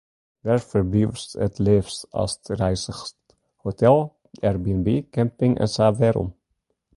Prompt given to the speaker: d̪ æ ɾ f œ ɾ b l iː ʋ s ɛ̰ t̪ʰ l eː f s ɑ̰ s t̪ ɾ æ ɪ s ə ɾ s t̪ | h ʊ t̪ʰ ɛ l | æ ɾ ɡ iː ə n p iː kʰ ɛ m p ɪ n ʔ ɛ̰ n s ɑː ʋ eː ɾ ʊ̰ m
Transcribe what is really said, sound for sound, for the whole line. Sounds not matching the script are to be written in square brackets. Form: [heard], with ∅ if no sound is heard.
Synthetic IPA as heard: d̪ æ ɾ f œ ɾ b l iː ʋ s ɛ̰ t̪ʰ l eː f s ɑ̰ s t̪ ɾ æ ɪ s ə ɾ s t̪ | h ʊ t̪ʰ ɛ l | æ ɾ [b] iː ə n [b] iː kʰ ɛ m p ɪ [ŋ] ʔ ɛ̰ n s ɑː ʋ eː ɾ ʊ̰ m